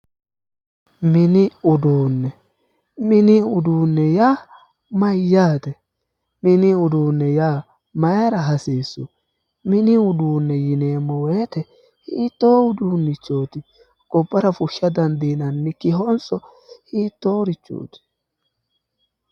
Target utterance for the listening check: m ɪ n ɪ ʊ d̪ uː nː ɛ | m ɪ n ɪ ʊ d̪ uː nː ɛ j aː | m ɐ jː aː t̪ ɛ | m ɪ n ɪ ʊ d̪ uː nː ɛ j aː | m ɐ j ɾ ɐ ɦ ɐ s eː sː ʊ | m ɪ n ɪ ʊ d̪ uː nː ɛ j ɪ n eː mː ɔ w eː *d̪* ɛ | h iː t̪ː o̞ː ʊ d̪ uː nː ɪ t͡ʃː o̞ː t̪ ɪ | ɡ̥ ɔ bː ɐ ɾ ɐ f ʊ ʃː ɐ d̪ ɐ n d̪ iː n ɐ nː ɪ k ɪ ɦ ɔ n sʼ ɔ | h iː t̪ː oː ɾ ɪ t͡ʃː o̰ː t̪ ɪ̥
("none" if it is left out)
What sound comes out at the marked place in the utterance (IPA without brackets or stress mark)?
t̪